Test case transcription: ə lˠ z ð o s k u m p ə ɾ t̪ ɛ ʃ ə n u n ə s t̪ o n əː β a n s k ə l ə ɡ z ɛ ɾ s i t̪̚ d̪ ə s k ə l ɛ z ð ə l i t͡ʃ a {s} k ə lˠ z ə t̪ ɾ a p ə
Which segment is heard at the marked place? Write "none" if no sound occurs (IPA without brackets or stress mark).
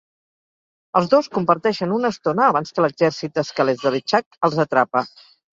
none